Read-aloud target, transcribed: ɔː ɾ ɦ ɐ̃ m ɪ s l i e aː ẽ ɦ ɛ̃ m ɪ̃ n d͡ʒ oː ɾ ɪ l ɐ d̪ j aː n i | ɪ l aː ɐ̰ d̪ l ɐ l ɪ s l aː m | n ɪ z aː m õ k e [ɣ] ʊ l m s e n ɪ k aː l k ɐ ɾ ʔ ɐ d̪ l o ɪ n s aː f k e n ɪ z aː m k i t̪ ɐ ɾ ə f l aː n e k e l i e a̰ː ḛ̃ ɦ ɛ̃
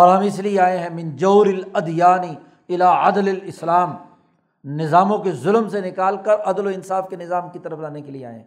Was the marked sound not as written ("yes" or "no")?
yes